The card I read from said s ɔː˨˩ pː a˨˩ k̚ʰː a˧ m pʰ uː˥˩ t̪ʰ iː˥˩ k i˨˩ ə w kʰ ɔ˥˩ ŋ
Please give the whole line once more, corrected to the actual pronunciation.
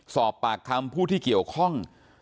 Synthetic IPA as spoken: s ɔː˨˩ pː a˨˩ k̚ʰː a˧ m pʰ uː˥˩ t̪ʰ iː˥˩ k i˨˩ ə w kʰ ɔ˥˩ ŋ